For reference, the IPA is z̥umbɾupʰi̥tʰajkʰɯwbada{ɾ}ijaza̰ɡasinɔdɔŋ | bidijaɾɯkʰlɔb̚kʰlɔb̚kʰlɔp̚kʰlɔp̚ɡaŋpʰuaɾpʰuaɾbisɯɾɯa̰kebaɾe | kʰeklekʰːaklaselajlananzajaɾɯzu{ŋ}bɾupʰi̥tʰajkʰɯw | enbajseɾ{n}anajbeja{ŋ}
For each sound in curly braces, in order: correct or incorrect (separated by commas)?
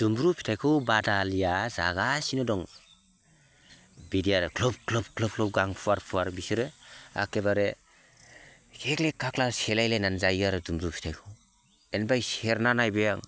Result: incorrect, incorrect, correct, correct